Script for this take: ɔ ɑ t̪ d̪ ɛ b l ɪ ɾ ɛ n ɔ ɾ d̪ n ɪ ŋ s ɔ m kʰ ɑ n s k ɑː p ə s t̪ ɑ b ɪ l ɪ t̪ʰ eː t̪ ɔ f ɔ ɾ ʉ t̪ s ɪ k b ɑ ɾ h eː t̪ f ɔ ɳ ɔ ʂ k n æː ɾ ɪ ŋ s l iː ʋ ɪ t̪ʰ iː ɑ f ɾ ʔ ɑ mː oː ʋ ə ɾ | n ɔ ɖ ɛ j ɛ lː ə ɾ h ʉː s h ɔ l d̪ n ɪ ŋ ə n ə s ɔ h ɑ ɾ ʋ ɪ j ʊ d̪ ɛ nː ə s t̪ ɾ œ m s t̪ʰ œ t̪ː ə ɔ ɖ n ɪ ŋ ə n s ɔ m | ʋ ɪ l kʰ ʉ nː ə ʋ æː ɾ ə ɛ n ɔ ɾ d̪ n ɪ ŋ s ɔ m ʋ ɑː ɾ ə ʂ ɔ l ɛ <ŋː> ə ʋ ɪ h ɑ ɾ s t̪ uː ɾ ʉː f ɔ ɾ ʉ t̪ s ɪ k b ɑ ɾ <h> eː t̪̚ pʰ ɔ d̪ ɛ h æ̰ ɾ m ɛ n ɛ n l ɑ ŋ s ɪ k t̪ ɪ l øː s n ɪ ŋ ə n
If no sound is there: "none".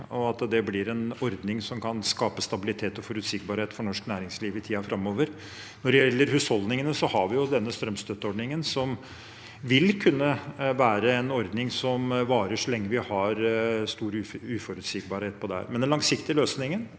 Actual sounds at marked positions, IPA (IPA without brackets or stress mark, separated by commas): ŋː, h